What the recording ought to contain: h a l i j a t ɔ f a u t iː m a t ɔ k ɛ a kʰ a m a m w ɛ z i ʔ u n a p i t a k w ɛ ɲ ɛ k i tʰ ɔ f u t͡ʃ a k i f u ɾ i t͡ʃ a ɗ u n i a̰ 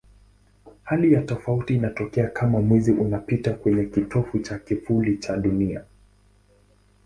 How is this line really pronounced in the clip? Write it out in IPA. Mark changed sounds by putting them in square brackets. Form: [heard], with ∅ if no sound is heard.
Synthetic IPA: h a l i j a t ɔ f a u t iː [n] a t ɔ k ɛ a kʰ a m a m w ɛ z i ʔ u n a p i t a k w ɛ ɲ ɛ k i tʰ ɔ f u t͡ʃ a k i f u [l] i t͡ʃ a ɗ u n i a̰